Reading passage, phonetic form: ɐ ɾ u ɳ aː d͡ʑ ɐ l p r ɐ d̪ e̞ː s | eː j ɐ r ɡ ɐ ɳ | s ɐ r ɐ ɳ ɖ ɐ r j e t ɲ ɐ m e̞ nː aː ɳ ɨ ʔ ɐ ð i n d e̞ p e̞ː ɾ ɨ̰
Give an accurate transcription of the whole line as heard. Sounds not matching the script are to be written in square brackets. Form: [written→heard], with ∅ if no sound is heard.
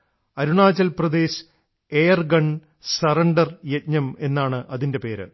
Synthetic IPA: ɐ ɾ u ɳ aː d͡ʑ ɐ l p r ɐ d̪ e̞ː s | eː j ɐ r ɡ ɐ ɳ | s ɐ r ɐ ɳ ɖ ɐ r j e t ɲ ɐ m e̞ nː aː ɳ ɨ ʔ ɐ ð i n d e̞ p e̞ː ɾ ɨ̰